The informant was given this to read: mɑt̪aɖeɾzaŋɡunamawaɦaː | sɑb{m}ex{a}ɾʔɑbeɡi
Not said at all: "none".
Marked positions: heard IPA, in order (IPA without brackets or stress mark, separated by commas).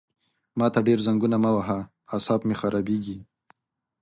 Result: m, a